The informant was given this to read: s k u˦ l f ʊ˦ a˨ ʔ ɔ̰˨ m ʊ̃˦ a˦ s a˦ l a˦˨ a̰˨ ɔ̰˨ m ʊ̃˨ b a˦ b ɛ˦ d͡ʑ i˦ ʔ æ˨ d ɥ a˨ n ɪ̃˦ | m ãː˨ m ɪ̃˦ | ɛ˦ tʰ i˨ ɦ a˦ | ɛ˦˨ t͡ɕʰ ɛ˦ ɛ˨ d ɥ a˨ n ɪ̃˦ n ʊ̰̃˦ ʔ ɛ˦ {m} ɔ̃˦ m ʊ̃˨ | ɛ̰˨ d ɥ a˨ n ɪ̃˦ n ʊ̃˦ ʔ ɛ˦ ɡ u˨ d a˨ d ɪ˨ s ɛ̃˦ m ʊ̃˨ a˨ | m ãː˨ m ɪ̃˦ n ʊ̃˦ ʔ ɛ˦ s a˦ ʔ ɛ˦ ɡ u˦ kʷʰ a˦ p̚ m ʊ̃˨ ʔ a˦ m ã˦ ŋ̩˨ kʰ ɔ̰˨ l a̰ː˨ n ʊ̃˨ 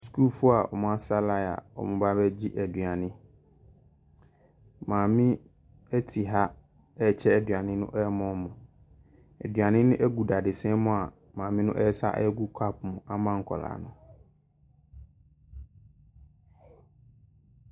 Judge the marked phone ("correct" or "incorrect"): correct